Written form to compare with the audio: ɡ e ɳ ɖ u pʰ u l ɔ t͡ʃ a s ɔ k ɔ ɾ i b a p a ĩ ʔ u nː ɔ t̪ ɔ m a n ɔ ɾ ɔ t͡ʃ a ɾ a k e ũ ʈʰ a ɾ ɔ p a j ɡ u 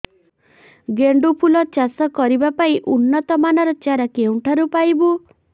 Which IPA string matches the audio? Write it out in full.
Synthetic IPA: ɡ e ɳ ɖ u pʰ u l ɔ t͡ʃ a s ɔ k ɔ ɾ i b a p a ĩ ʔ u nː ɔ t̪ ɔ m a n ɔ ɾ ɔ t͡ʃ a ɾ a k e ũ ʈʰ a ɾ u p a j b u